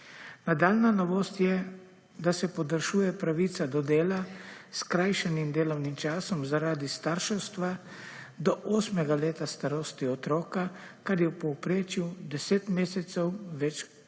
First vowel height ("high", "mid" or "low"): low